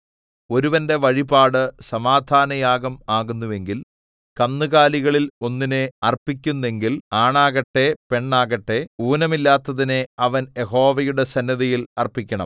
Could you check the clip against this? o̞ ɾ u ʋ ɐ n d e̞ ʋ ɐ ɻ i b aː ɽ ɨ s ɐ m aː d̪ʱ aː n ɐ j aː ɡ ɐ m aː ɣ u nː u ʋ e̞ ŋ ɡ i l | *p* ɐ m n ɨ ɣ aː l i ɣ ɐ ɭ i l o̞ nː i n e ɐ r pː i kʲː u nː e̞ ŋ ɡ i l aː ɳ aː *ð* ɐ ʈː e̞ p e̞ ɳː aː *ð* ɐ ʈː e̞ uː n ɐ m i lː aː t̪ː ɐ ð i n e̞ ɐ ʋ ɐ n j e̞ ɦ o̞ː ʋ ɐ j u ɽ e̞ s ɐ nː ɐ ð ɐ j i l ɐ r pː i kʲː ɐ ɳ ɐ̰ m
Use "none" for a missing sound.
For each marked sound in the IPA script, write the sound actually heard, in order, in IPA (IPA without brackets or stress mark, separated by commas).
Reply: k, ɣ, ɣ